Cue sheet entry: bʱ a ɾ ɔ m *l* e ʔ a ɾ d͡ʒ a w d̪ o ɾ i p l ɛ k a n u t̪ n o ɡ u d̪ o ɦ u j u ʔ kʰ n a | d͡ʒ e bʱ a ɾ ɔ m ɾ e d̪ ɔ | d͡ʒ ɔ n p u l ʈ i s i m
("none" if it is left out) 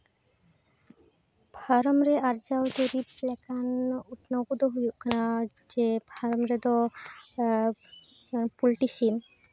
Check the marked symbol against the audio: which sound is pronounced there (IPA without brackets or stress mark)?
ɾ